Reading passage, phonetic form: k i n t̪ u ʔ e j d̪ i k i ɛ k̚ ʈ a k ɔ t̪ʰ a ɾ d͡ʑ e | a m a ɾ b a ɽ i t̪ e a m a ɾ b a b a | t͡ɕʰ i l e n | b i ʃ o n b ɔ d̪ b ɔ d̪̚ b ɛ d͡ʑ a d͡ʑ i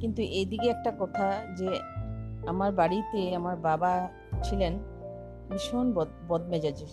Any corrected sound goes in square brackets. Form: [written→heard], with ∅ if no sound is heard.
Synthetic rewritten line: k i n t̪ u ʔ e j d̪ i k [i→e] ɛ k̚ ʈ a k ɔ t̪ʰ a [ɾ→∅] d͡ʑ e | a m a ɾ b a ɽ i t̪ e a m a ɾ b a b a | t͡ɕʰ i l e n | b i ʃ o n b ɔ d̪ b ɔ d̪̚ [b→m] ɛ d͡ʑ a d͡ʑ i